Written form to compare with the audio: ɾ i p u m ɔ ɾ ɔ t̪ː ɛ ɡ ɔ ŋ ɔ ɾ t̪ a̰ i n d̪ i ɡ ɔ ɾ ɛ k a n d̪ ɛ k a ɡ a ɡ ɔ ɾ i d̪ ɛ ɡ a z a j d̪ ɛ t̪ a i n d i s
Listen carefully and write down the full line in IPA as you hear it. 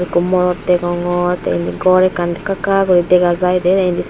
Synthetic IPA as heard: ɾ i k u m ɔ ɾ ɔ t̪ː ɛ ɡ ɔ ŋ ɔ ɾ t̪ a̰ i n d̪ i ɡ ɔ ɾ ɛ k a n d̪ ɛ k a k a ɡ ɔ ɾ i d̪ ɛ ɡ a z a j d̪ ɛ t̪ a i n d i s